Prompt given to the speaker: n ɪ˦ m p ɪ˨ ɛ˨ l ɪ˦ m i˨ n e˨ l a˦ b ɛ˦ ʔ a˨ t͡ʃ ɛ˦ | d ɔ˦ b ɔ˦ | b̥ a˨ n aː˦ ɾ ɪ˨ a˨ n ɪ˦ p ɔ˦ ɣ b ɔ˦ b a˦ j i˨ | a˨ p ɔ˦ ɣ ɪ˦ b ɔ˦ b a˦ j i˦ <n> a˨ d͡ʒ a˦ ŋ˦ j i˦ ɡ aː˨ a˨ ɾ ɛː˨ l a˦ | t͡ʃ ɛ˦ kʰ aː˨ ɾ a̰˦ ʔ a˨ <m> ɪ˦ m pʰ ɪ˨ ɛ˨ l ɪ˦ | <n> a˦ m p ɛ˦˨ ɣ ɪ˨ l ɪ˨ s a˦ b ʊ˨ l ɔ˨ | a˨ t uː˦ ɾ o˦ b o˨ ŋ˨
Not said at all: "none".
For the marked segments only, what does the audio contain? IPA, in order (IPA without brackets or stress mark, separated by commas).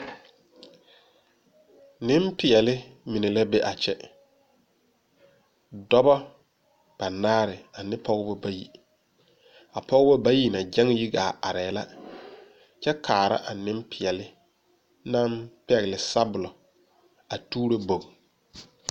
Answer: n, n, n